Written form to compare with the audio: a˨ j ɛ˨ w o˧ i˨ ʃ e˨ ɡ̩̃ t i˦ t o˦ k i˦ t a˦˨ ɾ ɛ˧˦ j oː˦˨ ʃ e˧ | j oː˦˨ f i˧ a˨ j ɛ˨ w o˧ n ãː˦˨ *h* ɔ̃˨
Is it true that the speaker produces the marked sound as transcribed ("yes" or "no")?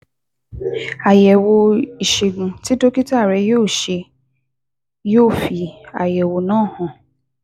yes